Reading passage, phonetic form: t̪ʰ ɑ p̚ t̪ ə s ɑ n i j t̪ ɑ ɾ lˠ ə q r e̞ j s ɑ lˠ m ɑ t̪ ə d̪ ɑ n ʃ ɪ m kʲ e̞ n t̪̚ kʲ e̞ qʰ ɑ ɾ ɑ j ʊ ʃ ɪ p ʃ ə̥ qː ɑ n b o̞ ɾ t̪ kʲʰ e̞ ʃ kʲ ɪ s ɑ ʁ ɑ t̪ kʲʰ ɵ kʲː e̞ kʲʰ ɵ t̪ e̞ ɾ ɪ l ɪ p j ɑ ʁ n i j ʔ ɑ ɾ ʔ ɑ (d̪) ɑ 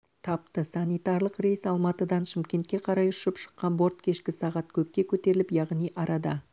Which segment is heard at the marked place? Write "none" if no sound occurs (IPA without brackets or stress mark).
d̪